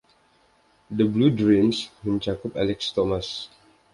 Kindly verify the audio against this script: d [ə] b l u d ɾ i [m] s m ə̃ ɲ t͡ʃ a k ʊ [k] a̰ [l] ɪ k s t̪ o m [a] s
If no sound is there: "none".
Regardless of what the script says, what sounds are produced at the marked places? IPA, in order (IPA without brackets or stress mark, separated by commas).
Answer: ə, m, p, l, a